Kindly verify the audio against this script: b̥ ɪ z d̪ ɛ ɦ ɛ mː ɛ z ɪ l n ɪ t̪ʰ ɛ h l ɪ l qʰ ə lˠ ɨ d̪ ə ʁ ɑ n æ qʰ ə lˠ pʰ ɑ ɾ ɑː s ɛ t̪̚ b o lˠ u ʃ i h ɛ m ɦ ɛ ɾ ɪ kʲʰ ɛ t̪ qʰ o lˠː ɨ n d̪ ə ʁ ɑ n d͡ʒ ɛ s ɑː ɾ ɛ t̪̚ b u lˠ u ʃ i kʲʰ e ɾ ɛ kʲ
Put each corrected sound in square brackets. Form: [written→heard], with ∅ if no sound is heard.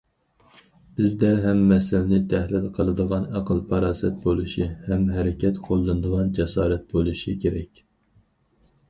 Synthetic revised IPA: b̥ ɪ z d̪ ɛ ɦ ɛ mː ɛ [z→s] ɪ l n ɪ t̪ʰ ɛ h l ɪ l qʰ ə lˠ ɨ d̪ ə ʁ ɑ n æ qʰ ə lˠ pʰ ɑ ɾ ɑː s ɛ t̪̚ b o lˠ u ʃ i h ɛ m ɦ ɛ ɾ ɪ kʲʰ ɛ t̪ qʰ o lˠː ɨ n d̪ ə ʁ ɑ n d͡ʒ ɛ s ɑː ɾ ɛ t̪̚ b [u→o] lˠ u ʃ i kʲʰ e ɾ ɛ kʲ